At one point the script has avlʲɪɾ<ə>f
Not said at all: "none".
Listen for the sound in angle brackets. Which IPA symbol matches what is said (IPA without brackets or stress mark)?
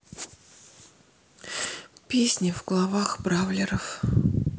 ə